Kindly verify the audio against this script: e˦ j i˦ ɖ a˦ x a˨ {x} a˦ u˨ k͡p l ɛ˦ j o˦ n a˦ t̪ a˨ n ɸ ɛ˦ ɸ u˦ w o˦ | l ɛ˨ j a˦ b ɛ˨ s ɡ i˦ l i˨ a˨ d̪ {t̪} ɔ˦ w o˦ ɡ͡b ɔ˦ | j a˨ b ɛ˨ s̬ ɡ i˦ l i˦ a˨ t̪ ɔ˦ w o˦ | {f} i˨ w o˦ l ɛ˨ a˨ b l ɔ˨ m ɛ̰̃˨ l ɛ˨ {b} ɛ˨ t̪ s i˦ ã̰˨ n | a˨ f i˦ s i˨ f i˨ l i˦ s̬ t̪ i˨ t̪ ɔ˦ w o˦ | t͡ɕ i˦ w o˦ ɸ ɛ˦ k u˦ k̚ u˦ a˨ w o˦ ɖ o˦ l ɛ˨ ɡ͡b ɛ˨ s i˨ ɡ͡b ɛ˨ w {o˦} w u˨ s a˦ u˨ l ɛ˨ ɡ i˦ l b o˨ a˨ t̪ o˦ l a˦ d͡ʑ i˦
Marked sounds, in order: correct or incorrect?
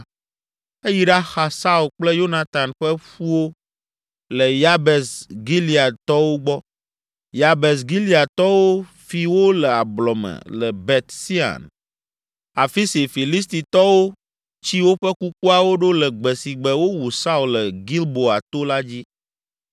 incorrect: s, correct, correct, correct, correct

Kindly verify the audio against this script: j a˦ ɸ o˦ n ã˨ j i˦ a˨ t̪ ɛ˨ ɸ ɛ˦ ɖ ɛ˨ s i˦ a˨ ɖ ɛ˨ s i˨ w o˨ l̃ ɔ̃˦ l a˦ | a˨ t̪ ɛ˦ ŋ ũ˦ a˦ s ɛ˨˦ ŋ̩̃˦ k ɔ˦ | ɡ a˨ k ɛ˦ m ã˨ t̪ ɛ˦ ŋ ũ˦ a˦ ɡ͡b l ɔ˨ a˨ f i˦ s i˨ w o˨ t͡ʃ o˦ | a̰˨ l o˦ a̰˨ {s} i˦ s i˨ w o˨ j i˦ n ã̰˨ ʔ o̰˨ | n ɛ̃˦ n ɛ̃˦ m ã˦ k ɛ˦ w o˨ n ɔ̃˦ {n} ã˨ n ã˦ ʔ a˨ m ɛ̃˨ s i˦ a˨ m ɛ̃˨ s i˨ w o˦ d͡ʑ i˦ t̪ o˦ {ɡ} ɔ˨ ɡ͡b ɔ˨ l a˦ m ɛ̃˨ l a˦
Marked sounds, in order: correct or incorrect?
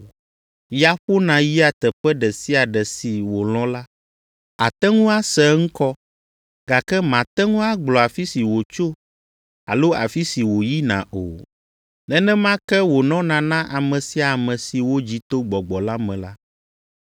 incorrect: f, correct, incorrect: ɡ͡b

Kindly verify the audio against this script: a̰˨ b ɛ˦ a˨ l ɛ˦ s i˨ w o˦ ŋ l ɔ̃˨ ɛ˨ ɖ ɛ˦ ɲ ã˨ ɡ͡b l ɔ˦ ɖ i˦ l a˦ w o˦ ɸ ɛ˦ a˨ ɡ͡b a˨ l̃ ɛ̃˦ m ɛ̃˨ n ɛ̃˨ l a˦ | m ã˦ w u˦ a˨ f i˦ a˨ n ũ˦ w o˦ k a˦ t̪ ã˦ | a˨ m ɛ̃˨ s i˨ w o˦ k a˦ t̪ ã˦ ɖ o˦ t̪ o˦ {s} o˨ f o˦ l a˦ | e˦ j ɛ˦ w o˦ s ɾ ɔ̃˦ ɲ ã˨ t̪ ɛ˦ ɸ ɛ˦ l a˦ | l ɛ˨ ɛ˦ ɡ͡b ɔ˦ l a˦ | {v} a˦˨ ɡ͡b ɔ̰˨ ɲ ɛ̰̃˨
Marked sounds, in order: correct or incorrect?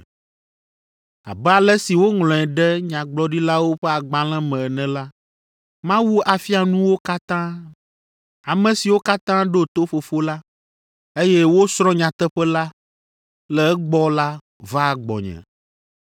incorrect: f, correct

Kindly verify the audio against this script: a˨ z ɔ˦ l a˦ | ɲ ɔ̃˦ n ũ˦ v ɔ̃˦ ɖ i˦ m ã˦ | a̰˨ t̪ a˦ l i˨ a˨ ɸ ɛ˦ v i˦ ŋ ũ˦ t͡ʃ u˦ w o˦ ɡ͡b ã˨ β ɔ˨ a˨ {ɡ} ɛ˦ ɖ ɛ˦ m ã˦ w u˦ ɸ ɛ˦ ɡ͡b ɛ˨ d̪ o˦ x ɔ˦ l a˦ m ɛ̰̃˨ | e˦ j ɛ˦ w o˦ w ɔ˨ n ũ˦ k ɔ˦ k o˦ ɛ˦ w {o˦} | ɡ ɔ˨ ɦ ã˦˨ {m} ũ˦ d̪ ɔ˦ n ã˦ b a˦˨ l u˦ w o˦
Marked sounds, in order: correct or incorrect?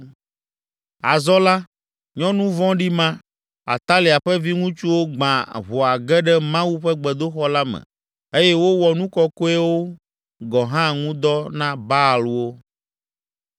correct, correct, incorrect: ŋ

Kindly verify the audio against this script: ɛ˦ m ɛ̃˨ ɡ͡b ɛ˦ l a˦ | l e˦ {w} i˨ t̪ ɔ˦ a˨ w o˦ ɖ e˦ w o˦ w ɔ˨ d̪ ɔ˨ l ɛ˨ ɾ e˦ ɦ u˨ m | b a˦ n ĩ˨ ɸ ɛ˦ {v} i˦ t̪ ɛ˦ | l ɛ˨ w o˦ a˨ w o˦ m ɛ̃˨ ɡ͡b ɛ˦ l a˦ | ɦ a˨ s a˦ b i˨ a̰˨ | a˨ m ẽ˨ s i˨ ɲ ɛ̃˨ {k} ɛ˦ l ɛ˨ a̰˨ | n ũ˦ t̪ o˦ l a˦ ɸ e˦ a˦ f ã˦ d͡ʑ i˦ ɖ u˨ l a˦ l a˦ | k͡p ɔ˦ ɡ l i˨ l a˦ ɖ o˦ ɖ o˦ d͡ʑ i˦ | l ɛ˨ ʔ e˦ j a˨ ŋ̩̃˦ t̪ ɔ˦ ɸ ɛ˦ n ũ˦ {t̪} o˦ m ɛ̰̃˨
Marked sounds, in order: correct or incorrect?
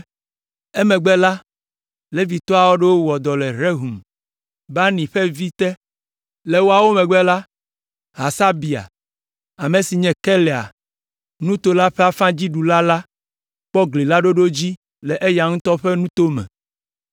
incorrect: v, correct, correct, correct

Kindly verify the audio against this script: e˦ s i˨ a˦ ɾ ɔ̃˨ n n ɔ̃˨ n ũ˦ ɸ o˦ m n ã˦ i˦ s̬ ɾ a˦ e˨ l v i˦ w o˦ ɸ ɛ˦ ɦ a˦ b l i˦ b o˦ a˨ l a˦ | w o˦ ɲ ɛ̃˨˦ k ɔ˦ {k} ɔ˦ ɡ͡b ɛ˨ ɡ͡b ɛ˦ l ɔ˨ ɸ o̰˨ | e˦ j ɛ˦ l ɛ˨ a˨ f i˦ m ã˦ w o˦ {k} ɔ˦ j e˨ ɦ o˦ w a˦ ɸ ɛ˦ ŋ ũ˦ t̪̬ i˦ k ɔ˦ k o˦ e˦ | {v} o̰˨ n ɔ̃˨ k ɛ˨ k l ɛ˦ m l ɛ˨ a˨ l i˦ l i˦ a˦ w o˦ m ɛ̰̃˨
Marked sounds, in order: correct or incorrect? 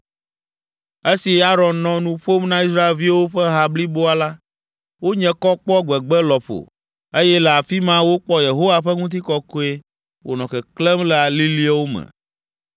incorrect: k͡p, incorrect: k͡p, incorrect: w

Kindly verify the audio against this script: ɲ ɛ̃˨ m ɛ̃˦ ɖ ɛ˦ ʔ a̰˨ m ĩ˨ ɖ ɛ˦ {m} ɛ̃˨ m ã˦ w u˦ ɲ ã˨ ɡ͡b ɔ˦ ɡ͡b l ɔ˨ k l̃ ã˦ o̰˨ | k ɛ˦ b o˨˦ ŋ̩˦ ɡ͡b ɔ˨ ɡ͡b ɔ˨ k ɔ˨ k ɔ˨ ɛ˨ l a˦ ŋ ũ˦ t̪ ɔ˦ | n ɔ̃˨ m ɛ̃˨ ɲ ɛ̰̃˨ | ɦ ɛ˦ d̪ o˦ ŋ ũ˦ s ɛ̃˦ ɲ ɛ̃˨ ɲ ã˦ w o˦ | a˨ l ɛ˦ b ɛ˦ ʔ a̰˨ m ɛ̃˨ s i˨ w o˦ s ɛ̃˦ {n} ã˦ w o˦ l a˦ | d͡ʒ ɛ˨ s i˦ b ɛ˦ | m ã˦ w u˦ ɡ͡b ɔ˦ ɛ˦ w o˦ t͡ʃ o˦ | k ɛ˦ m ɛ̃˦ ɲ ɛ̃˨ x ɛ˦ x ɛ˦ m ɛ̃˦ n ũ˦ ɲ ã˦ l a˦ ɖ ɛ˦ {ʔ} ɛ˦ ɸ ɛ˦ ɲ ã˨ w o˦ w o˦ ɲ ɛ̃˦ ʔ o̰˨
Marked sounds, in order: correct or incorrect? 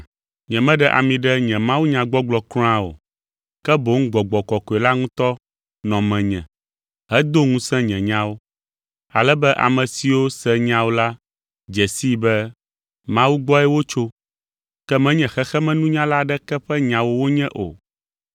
incorrect: ɲ, incorrect: ɲ, incorrect: k

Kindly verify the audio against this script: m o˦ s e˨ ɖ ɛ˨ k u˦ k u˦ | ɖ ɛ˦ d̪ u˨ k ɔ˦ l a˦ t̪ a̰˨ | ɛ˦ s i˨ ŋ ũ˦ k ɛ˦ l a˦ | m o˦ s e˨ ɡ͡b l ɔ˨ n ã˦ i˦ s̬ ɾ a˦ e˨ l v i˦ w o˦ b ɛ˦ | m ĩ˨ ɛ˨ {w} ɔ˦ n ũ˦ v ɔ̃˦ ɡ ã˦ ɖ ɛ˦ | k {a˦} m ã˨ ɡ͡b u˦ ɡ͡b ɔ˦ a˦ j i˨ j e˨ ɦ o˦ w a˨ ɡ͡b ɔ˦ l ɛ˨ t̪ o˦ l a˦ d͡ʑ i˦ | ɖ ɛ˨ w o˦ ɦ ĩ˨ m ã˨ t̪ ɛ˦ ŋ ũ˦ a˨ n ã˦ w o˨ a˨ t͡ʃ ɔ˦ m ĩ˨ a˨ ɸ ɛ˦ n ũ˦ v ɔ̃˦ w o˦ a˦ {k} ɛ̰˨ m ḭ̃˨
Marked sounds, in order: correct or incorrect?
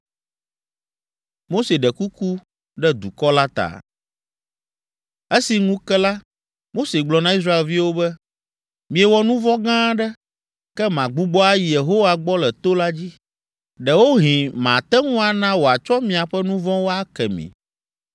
correct, incorrect: ɛ˦, correct

